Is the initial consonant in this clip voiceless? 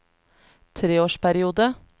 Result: yes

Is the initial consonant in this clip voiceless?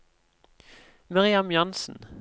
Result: no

